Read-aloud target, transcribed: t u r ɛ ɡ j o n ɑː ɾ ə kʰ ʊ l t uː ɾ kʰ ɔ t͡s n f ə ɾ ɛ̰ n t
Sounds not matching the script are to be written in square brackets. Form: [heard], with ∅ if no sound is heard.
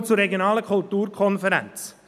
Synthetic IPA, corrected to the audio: [t͡s] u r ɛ ɡ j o n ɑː [l] ə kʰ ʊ l t uː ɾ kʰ ɔ [∅] n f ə ɾ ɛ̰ n [t͡s]

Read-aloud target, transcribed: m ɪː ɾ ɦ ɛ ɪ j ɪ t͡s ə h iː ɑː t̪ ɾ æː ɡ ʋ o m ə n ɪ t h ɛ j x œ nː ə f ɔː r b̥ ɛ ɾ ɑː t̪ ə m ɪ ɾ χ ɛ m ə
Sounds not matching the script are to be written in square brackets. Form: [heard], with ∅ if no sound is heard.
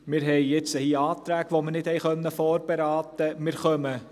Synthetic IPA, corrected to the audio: m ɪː ɾ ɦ ɛ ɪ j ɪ t͡s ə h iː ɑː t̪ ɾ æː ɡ ʋ o m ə n ɪ t h ɛ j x œ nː ə f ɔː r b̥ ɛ ɾ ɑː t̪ ə m ɪ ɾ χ [œ] m ə

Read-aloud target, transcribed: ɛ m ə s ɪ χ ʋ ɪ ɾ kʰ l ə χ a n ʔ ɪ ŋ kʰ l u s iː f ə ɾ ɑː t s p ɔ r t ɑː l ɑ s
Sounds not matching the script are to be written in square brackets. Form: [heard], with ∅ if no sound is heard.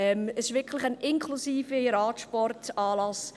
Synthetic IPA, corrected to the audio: ɛ m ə s ɪ [ʃ] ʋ ɪ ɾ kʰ l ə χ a n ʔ ɪ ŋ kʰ l u s iː f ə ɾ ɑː t [ʃ] p ɔ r t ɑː l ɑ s

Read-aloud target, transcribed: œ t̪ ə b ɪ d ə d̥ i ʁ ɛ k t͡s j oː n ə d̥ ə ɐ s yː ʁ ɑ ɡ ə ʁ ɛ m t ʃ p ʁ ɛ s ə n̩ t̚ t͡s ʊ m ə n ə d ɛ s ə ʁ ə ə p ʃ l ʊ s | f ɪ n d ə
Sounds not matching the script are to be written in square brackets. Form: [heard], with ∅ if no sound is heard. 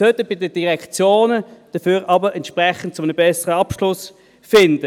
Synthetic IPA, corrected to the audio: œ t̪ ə b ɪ d ə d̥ i ʁ ɛ k t͡s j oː n ə d̥ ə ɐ [f] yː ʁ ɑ [b] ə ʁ ɛ [n] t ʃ p ʁ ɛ [χ] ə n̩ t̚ t͡s ʊ m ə n ə [b] ɛ s ə ʁ ə [ɑ] p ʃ l ʊ s | f ɪ n d ə

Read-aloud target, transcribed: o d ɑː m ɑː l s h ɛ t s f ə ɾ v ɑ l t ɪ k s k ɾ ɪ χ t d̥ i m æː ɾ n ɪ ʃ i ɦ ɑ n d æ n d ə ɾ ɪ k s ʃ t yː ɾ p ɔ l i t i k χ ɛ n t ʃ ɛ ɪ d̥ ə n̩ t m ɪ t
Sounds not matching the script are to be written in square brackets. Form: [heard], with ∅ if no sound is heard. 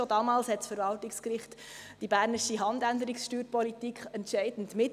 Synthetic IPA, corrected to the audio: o d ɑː m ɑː l s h ɛ t s f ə ɾ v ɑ l t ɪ k s k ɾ ɪ χ t d̥ i [b] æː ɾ n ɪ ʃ i ɦ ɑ n d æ n d ə ɾ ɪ k s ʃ t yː ɾ p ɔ l i t i k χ ɛ n t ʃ ɛ ɪ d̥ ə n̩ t m ɪ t

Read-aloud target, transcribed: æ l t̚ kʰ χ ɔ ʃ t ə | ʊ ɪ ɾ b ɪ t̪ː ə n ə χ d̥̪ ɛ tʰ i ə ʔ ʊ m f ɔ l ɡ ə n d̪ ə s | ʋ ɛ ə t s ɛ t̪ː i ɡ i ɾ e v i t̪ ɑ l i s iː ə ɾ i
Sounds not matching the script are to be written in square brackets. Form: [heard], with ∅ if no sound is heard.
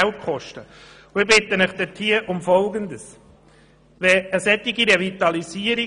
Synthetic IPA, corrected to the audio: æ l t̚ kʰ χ ɔ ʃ t ə | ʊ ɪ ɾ b ɪ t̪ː ə n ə χ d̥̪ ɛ tʰ i ə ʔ ʊ m f ɔ l ɡ ə n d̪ ə s | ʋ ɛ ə [∅] s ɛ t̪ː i ɡ i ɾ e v i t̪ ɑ l i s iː ə ɾ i

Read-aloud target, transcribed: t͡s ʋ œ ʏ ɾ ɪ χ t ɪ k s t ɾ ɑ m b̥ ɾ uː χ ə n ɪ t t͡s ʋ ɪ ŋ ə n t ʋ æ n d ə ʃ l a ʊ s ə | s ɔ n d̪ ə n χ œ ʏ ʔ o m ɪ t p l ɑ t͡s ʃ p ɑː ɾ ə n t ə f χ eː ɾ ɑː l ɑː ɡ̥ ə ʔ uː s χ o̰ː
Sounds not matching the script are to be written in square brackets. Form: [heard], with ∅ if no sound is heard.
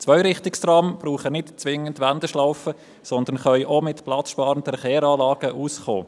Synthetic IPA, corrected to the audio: t͡s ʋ œ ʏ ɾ ɪ χ t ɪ k s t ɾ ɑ m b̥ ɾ uː χ ə n ɪ t t͡s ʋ ɪ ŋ ə n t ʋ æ n d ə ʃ l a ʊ [f] ə | s ɔ n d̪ ə n χ œ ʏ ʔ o m ɪ t p l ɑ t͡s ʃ p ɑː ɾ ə n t ə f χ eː ɾ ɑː l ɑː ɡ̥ ə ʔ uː s χ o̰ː

